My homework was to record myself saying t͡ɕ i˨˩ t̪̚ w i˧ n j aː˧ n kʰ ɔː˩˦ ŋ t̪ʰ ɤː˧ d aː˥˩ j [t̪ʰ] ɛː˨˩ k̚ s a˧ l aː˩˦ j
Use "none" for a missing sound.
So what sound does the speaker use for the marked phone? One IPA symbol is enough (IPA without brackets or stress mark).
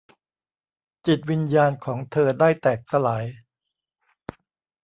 t̪